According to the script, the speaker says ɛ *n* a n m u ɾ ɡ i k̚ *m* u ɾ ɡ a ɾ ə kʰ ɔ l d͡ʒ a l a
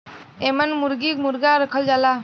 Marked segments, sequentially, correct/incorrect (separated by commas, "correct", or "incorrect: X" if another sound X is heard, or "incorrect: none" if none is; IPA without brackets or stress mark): incorrect: m, correct